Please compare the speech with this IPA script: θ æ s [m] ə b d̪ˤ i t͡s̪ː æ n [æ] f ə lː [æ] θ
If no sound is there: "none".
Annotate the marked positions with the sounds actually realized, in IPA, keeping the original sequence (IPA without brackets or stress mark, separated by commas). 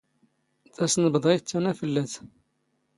n, æ, æ